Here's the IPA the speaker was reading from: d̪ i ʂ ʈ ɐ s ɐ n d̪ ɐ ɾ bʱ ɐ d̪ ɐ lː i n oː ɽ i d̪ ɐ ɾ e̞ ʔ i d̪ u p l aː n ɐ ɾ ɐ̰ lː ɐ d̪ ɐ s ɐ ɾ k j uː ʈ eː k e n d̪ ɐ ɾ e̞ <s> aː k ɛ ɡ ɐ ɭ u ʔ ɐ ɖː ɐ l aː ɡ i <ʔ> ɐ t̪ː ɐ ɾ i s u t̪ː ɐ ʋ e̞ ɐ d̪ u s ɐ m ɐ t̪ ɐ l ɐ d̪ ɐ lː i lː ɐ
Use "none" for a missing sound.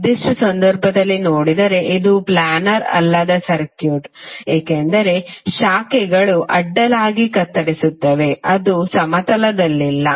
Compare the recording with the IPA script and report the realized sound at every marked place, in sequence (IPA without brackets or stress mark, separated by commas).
ʃ, k